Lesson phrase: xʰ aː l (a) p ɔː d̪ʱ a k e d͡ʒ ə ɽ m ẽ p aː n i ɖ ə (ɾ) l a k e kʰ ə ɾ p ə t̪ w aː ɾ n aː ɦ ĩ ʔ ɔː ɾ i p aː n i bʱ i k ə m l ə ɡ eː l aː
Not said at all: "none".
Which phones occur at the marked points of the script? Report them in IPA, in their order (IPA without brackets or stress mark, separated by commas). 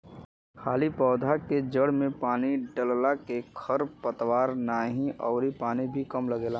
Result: i, l